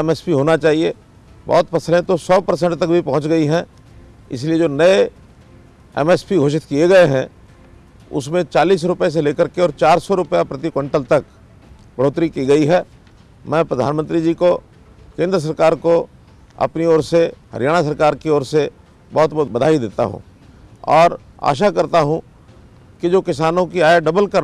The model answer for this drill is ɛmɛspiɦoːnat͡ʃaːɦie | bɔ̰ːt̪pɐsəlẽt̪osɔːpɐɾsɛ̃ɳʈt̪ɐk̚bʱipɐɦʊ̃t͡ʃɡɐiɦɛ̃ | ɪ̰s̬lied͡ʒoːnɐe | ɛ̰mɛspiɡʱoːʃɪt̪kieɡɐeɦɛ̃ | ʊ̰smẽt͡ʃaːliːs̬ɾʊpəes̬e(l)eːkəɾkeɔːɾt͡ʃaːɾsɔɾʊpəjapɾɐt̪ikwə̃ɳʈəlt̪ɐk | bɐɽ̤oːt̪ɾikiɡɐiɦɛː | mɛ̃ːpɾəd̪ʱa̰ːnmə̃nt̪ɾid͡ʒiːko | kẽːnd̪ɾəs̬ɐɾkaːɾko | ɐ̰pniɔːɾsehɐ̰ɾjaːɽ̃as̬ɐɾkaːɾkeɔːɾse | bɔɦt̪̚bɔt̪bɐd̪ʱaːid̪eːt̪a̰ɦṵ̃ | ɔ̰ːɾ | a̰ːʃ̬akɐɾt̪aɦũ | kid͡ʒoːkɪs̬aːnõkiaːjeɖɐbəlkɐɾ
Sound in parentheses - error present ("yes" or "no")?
no